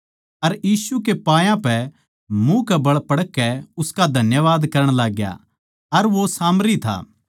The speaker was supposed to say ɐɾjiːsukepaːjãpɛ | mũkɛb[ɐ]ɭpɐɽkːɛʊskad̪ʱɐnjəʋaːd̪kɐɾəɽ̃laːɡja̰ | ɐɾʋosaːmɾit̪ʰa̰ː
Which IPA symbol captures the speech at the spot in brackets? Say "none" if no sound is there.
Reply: ɐ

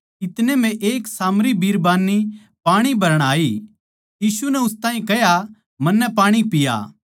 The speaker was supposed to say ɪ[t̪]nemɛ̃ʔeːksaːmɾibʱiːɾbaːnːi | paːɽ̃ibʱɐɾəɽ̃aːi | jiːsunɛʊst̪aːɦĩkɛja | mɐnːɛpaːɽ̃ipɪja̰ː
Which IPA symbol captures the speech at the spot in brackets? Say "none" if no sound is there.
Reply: t̪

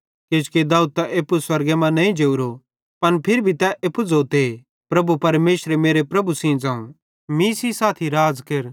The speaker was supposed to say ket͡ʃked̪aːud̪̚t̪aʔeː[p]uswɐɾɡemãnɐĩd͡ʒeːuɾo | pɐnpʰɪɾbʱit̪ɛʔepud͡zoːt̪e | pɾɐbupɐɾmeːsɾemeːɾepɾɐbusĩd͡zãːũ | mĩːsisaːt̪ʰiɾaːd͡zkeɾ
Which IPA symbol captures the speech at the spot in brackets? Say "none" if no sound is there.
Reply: p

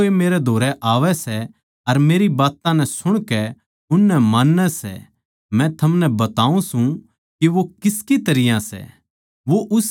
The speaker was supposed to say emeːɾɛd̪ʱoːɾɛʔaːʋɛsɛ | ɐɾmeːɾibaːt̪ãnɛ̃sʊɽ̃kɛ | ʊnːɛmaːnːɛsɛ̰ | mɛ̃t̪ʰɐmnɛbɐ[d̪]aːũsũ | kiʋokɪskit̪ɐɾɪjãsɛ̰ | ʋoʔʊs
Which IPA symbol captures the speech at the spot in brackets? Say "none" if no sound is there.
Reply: t̪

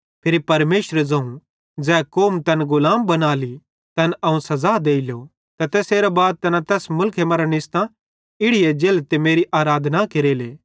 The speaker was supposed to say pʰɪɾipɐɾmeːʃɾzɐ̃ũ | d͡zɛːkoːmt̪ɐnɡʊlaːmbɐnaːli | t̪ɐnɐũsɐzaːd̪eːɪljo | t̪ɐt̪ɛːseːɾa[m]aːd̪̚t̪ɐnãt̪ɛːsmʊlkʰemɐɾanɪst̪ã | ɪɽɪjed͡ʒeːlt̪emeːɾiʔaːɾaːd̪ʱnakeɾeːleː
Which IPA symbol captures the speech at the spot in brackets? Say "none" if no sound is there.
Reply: b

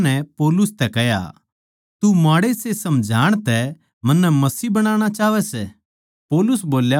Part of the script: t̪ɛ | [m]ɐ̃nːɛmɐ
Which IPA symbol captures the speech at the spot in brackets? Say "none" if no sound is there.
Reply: m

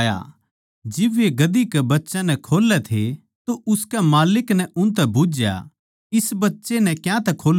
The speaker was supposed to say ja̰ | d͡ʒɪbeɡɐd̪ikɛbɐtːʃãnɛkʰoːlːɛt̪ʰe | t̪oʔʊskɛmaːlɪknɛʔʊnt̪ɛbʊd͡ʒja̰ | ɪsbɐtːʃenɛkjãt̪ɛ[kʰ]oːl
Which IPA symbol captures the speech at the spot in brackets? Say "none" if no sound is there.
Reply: kʰ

